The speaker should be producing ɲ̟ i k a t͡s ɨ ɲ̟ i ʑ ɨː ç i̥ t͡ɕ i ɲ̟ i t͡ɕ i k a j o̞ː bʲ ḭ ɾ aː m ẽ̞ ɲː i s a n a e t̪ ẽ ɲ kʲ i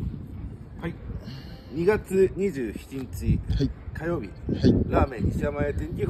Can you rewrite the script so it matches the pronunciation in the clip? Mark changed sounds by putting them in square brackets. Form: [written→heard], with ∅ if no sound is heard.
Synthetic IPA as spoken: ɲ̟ i [k→ɡ] a t͡s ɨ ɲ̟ i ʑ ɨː ç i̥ t͡ɕ i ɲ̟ i t͡ɕ i k a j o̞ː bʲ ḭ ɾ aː m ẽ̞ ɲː i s a [n→m] a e t̪ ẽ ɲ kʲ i